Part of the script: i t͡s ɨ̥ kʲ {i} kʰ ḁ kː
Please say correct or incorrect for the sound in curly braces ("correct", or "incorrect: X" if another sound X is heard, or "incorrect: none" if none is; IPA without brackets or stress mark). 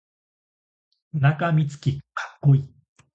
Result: correct